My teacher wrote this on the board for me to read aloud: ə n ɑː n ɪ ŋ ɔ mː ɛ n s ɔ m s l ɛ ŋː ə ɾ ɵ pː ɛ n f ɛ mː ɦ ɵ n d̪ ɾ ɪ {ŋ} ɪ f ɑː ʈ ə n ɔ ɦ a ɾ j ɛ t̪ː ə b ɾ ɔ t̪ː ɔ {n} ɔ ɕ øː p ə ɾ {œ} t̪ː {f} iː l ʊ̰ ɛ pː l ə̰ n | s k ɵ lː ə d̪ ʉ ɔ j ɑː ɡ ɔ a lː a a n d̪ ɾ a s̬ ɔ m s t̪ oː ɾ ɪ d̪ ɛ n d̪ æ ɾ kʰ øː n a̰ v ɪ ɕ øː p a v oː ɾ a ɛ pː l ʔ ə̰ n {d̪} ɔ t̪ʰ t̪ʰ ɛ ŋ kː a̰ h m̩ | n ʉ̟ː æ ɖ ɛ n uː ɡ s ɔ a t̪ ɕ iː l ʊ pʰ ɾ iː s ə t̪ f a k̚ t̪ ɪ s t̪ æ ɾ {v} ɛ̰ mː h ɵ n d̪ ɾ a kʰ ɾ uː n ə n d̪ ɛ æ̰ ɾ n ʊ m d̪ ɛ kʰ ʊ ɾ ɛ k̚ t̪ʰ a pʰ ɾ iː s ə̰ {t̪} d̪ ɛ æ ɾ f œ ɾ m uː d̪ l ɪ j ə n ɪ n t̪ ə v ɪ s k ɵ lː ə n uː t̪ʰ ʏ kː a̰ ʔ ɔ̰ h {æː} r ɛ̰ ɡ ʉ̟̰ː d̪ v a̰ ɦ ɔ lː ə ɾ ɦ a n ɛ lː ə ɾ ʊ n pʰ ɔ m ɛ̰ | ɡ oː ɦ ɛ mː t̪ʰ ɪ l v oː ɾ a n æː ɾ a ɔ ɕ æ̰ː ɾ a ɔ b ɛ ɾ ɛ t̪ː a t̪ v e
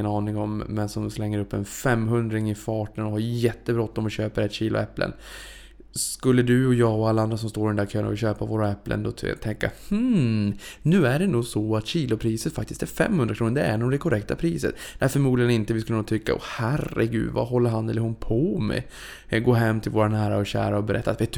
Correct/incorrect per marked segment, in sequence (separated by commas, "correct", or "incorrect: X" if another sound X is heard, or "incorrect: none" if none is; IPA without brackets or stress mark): correct, incorrect: m, incorrect: ɛ, incorrect: ɕ, correct, incorrect: f, correct, incorrect: æ